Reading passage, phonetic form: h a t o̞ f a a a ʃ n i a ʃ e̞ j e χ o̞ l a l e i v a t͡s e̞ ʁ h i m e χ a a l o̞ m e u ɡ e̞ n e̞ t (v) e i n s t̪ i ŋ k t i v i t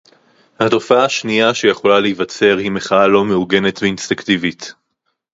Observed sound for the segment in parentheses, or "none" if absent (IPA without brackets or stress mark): v